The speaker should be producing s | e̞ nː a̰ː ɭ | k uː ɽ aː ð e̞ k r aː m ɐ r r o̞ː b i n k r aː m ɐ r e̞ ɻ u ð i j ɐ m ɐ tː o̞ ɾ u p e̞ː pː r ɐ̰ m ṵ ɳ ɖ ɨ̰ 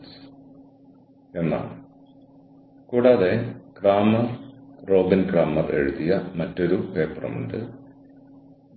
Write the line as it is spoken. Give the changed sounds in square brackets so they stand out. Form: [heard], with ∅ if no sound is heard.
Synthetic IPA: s | e̞ nː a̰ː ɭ | k uː ɽ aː ð e̞ k r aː m ɐ r r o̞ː b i n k r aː m ɐ r e̞ ɻ u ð i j ɐ m ɐ tː o̞ ɾ u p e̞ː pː r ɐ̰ m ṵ ɳ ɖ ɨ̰